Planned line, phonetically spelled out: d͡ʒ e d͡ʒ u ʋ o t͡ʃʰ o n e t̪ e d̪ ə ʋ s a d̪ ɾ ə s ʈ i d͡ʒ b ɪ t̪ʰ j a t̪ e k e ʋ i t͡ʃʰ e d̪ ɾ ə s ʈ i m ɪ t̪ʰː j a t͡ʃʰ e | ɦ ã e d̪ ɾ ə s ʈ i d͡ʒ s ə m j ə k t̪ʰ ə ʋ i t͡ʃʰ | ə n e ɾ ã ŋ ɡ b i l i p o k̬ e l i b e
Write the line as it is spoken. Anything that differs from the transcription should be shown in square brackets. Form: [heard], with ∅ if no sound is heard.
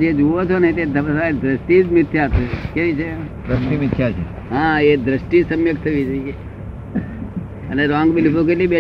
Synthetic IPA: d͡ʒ e d͡ʒ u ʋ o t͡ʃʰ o n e t̪ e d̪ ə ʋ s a d̪ ɾ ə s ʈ i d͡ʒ [m] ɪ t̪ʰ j a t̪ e k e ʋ i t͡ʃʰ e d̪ ɾ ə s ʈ i m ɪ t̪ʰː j a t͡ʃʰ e | ɦ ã e d̪ ɾ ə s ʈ i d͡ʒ s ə m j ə k t̪ʰ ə ʋ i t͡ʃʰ | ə n e ɾ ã ŋ ɡ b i l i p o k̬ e l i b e